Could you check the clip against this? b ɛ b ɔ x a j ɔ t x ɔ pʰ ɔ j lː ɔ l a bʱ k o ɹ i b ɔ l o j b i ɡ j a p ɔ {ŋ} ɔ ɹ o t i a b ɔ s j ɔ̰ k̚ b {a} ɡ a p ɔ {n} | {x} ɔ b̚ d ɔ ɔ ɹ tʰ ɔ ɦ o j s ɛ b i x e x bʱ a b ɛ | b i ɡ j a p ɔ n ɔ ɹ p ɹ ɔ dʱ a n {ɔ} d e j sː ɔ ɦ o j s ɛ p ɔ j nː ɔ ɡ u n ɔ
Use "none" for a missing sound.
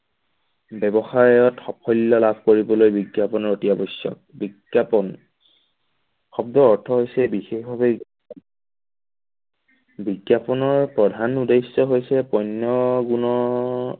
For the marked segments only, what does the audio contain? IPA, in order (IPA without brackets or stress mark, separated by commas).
n, i, n, x, u